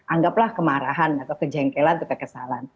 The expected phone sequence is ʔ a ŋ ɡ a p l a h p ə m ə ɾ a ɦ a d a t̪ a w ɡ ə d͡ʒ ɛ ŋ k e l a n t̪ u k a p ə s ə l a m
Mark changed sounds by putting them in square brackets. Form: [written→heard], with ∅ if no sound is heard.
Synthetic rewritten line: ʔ a ŋ ɡ a p l a h [p→k] ə m [ə→a] ɾ a ɦ a [d→n] a t̪ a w [ɡ→k] ə d͡ʒ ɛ ŋ k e l a n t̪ u k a [p→k] ə s [ə→a] l a [m→n]